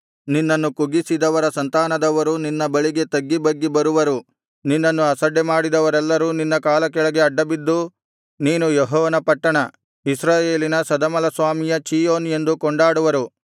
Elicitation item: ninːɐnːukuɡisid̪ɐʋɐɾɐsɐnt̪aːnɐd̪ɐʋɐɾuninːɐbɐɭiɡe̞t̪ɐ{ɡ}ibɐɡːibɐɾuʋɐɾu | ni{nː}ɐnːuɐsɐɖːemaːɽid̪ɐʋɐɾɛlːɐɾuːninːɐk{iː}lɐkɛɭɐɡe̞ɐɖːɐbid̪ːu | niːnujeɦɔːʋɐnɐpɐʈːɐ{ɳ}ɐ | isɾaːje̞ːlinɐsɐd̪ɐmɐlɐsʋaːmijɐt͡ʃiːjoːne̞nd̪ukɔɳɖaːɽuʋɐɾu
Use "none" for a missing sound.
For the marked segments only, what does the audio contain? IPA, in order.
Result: ɡː, nː, aː, ɳ

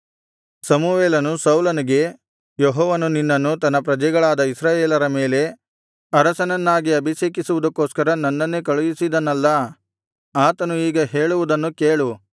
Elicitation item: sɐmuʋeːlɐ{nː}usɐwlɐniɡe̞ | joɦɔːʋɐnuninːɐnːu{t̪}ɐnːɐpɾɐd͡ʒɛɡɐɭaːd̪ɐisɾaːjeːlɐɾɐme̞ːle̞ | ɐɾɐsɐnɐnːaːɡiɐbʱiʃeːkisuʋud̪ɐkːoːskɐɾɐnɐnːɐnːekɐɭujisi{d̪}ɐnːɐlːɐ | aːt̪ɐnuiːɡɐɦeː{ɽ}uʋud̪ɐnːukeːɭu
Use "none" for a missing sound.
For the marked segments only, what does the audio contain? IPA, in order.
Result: n, t̪, d̪, ɭ

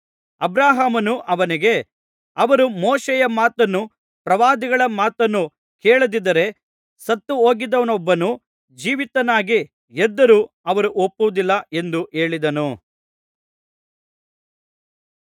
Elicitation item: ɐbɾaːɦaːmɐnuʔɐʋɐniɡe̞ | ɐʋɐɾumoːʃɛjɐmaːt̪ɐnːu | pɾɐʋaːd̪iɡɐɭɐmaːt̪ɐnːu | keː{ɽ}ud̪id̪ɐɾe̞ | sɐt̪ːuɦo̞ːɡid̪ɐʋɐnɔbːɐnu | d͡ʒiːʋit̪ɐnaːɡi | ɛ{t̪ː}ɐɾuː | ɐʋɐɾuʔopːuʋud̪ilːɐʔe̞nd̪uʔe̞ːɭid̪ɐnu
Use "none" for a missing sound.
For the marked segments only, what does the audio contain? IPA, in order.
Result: ɭ, d̪ː

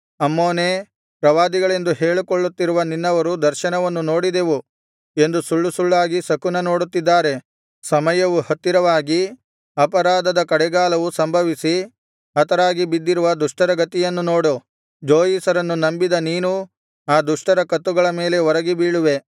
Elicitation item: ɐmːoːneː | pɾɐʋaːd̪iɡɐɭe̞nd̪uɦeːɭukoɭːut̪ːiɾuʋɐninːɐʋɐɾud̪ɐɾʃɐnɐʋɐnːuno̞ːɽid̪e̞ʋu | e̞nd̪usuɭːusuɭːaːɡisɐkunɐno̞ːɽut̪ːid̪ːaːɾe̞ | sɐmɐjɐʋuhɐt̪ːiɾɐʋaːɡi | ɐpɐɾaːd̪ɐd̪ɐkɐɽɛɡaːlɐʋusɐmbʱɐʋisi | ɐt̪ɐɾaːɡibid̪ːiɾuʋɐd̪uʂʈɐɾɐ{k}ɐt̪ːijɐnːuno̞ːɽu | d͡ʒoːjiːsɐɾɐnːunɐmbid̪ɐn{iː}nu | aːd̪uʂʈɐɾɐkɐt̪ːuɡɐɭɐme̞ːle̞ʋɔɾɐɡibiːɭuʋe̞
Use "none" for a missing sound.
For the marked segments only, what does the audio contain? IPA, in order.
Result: ɡ, iː

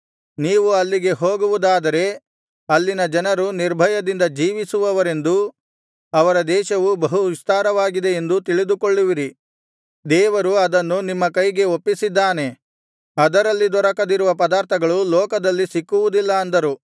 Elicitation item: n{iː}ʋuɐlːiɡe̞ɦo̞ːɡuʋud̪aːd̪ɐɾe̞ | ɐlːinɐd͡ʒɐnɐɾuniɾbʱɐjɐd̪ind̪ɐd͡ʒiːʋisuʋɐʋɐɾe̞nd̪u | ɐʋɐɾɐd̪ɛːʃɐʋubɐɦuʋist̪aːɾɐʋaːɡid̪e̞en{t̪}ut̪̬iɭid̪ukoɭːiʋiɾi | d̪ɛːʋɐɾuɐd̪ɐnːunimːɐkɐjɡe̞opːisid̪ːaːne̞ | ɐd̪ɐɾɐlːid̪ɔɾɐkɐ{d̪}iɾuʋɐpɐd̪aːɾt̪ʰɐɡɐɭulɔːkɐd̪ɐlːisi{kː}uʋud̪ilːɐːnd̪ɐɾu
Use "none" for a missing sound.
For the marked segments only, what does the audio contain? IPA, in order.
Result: iː, d̪, d̪, kː

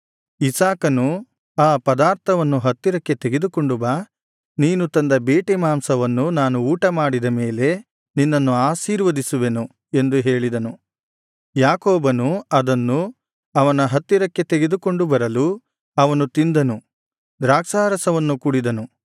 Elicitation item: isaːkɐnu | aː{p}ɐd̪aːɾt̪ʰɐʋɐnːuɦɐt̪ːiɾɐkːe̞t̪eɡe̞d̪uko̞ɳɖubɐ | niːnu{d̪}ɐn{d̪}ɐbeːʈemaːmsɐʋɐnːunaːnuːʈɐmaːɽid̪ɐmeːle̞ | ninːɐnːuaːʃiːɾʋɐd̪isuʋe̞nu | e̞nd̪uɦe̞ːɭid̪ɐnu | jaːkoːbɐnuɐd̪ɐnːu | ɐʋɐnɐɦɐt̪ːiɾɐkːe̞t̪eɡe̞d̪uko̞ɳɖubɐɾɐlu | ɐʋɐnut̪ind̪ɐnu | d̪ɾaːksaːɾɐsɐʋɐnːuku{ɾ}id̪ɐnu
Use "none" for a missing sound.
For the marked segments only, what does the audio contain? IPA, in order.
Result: p, t̪, d̪, ɽ

